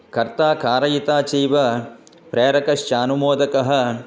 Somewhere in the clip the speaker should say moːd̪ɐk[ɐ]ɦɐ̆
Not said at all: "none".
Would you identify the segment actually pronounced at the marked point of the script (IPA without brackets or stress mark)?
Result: ɐ